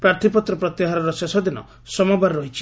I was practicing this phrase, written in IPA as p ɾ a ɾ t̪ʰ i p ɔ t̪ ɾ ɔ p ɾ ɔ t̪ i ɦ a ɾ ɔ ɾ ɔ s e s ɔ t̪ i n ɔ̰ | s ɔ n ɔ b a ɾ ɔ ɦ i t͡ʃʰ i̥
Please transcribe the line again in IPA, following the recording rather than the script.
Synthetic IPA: p ɾ a ɾ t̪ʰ i p ɔ t̪ ɾ ɔ p ɾ ɔ t̪ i ɦ a ɾ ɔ ɾ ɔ s e s ɔ d̪ i n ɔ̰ | s ɔ m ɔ b a ɾ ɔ ɦ i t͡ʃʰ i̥